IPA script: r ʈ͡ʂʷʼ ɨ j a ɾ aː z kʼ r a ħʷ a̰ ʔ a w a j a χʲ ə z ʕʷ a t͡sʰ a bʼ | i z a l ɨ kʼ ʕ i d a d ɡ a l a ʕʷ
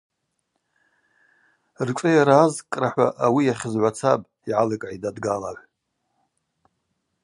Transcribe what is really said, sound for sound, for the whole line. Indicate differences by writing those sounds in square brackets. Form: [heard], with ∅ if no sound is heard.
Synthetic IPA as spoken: r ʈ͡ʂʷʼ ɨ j a ɾ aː z kʼ r a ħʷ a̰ ʔ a w [i] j a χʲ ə z ʕʷ a t͡sʰ a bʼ | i [ʕ] a l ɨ kʼ ʕ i d a d ɡ a l a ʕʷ